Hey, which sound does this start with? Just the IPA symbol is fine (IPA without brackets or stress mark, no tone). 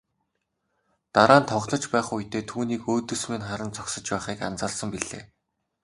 t̪